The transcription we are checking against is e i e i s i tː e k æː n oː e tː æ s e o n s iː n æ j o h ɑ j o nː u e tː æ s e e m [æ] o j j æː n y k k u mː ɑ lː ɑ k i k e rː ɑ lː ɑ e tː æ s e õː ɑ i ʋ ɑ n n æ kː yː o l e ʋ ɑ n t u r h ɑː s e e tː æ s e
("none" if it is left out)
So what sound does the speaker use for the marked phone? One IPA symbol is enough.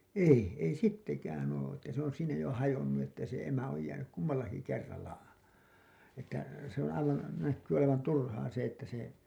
æ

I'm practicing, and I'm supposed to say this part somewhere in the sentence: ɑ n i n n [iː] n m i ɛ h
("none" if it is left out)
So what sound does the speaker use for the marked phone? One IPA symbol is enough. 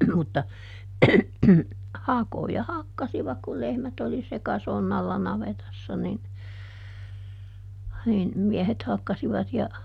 i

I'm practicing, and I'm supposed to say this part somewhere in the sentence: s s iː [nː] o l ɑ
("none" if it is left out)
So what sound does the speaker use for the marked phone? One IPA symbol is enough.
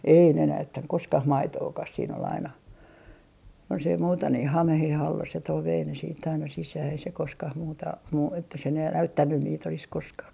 n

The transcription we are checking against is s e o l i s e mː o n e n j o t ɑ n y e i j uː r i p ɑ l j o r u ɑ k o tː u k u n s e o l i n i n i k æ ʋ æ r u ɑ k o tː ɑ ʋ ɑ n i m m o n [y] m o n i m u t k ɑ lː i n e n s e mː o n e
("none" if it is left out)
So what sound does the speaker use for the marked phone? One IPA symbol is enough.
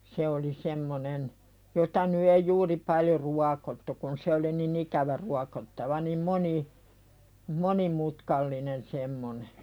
i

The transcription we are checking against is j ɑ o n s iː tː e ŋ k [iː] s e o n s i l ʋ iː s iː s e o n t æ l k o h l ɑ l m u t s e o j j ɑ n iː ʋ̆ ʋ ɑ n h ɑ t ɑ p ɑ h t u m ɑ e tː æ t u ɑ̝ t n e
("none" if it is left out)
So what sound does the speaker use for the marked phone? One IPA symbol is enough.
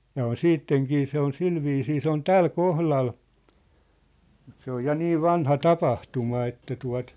iː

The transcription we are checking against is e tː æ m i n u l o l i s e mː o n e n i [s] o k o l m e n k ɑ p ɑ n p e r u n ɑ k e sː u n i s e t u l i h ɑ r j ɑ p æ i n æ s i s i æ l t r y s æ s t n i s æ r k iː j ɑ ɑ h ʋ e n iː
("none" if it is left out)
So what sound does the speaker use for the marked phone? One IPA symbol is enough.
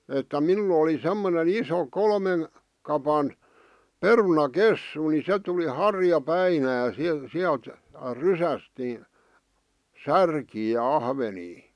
s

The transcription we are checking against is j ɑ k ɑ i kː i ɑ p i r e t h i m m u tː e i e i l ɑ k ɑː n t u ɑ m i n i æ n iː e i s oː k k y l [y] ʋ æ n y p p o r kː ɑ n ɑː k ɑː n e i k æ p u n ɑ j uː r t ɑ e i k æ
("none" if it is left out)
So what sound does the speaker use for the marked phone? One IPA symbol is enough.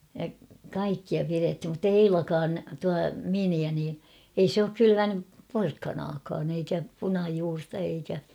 y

